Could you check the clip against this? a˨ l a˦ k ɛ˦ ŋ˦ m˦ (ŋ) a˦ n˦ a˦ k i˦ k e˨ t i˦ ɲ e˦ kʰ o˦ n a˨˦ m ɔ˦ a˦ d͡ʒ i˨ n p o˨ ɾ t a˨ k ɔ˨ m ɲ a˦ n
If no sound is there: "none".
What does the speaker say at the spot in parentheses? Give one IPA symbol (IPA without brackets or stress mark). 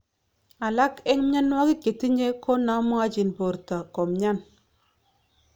ɲ